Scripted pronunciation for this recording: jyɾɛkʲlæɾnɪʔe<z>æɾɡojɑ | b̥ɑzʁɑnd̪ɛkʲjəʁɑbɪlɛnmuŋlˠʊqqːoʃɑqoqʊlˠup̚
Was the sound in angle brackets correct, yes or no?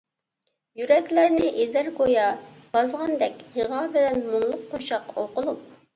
yes